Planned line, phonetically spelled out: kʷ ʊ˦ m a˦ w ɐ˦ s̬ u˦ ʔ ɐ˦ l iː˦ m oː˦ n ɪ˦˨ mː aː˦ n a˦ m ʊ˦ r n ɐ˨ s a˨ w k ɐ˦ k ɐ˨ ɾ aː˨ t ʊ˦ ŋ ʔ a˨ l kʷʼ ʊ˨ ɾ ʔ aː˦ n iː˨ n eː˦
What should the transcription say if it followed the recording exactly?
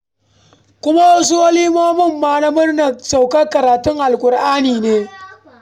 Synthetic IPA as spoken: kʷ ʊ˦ m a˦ w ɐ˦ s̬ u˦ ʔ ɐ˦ l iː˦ m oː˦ m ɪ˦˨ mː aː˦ n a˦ m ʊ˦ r n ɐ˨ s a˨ w k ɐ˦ k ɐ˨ ɾ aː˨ t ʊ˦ ŋ ʔ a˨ l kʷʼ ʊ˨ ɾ ʔ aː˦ n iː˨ n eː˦